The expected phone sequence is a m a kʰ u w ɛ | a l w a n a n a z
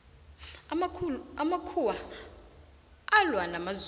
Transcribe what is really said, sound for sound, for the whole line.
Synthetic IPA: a m a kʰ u w a | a l w a n a m a z